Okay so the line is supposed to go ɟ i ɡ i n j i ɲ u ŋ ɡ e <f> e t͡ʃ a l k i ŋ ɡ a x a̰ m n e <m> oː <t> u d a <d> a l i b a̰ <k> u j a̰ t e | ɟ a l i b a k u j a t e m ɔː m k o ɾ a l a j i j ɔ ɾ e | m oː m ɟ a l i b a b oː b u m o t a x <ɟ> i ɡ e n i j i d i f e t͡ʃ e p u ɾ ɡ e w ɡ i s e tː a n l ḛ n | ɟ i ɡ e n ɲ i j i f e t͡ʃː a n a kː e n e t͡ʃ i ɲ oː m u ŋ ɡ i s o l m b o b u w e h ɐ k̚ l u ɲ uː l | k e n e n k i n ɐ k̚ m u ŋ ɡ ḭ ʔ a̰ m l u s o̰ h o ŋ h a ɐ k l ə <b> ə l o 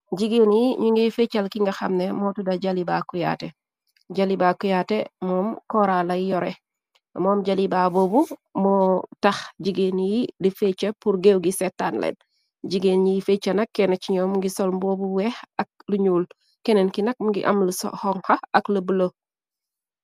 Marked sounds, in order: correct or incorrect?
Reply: correct, correct, correct, incorrect, correct, correct, correct

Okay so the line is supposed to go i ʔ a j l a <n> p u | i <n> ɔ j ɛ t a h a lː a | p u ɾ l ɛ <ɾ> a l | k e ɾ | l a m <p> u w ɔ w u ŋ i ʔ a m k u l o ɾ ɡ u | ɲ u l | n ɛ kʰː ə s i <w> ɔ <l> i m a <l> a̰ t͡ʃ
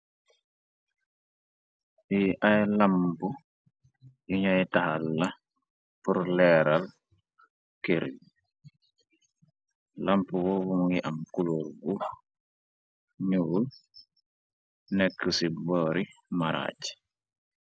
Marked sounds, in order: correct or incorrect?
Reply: incorrect, incorrect, correct, correct, incorrect, incorrect, incorrect

